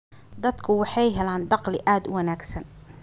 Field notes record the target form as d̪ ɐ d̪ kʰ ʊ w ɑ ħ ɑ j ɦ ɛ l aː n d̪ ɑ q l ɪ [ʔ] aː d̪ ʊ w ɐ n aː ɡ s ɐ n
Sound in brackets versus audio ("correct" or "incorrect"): correct